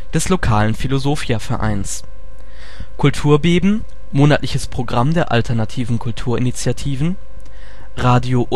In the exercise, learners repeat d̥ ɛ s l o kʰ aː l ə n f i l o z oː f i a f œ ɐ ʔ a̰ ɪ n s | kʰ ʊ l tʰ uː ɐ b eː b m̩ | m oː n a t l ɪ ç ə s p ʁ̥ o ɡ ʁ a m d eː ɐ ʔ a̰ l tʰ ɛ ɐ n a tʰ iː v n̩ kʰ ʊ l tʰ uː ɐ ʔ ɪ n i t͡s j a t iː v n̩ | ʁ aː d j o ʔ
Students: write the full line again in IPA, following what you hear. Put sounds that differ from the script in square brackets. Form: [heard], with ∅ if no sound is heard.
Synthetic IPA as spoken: d̥ ɛ s l o kʰ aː l ə n f i l o z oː f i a f [ɛ] ɐ ʔ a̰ ɪ n s | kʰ ʊ l tʰ uː ɐ b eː b m̩ | m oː n a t l ɪ ç ə s p ʁ̥ o ɡ ʁ a m d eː ɐ ʔ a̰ l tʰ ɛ ɐ n a tʰ iː v n̩ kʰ ʊ l tʰ uː ɐ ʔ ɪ n i t͡s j a [tʰ] iː v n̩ | ʁ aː d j o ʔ

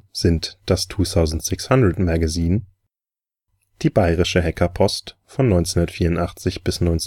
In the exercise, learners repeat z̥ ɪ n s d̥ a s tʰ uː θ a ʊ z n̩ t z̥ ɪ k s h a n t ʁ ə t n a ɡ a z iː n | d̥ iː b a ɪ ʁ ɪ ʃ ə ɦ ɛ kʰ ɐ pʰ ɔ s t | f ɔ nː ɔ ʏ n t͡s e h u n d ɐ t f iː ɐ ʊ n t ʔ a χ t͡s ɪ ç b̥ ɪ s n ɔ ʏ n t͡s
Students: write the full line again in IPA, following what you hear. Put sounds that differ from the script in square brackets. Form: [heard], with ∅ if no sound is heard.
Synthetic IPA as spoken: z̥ ɪ n [t] d̥ a s tʰ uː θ a ʊ z n̩ t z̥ ɪ k s h a n [d] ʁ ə t [m] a ɡ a z iː n | d̥ iː b a ɪ ʁ ɪ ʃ ə ɦ ɛ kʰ ɐ pʰ ɔ s t | f ɔ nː ɔ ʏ n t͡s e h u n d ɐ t f iː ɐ ʊ n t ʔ a χ t͡s ɪ ç b̥ ɪ s n ɔ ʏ n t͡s

